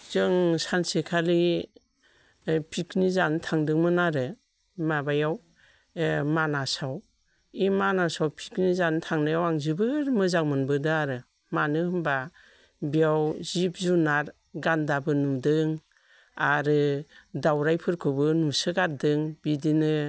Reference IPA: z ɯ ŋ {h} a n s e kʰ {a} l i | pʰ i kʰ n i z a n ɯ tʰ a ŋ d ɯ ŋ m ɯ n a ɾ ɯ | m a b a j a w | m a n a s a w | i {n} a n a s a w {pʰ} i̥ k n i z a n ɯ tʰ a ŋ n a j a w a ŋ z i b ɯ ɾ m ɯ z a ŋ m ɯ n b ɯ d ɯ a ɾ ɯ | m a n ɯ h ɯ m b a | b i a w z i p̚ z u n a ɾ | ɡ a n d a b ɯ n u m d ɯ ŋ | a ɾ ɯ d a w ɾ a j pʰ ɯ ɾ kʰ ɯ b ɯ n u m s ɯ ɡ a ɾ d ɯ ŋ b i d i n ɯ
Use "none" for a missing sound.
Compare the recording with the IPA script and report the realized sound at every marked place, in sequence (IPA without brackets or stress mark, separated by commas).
s, a, m, pʰ